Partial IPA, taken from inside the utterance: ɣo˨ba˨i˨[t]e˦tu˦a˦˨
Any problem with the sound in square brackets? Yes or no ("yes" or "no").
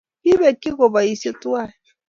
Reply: yes